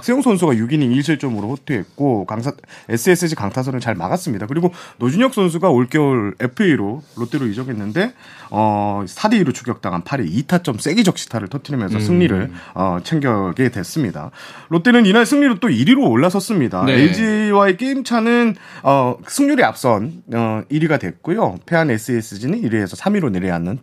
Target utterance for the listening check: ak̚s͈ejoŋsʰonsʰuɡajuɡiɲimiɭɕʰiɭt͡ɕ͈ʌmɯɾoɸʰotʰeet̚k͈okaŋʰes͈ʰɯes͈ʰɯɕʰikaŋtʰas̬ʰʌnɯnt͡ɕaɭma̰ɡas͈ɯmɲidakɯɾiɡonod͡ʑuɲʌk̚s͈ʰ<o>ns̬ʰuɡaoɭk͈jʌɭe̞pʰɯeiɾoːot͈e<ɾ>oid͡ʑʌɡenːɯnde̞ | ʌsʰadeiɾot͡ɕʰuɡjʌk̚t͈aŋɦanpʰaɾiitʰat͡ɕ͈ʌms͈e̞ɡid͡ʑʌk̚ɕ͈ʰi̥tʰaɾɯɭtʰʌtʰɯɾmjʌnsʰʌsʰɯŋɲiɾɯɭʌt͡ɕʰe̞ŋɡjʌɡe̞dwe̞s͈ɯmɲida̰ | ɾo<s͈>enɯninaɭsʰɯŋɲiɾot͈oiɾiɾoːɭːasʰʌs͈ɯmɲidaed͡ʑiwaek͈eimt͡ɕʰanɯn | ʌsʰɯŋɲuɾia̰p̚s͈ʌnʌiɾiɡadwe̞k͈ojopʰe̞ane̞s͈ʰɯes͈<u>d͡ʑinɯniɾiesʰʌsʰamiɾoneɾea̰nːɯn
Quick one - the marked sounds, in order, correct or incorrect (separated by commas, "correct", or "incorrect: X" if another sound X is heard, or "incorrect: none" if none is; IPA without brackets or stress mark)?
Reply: correct, correct, incorrect: t͈, incorrect: ɯ